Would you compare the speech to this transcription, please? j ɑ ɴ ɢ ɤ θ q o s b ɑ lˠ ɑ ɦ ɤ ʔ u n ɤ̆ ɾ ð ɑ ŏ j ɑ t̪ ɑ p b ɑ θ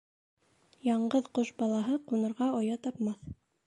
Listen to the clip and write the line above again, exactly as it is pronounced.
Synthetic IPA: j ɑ ɴ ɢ ɤ ð q o ʃ b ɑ lˠ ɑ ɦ ɤ q u n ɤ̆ ɾ ʁ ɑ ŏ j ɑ t̪ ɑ p m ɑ θ